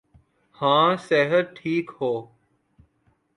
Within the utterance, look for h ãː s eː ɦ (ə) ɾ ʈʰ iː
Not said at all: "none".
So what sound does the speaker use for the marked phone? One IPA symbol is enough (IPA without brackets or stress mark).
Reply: ə